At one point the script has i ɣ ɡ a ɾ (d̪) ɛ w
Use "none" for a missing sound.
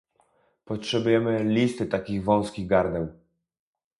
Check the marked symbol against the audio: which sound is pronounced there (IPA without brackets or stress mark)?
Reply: d̪